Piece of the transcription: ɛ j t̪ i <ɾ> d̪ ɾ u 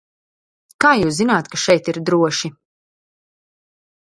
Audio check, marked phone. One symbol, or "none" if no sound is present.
ɾ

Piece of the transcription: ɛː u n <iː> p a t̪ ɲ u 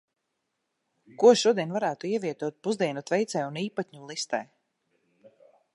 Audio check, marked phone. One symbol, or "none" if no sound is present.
iː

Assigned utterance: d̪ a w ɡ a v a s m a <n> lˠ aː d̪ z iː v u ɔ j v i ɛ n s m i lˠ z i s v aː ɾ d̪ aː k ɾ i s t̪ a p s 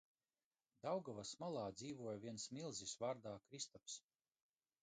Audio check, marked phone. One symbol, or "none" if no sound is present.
none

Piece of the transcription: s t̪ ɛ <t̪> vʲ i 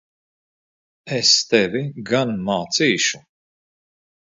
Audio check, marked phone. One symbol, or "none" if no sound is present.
none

